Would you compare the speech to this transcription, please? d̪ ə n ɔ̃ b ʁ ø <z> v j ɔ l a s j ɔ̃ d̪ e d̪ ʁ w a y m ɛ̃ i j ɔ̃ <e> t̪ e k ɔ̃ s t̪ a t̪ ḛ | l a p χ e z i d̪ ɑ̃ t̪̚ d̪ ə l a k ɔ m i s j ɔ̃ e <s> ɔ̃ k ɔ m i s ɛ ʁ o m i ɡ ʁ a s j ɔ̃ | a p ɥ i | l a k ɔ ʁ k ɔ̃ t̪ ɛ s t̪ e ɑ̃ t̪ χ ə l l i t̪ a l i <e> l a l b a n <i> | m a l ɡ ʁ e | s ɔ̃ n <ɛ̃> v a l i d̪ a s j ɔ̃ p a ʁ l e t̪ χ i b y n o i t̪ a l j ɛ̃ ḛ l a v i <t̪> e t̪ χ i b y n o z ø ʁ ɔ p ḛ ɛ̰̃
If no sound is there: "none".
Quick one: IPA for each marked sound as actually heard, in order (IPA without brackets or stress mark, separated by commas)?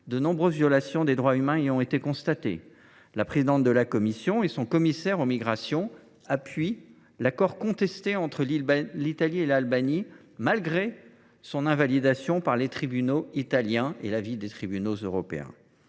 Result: z, e, s, e, i, ɛ̃, d̪